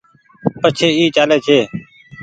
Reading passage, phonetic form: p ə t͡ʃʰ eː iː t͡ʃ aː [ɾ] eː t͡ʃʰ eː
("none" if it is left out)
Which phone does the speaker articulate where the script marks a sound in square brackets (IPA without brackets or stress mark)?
l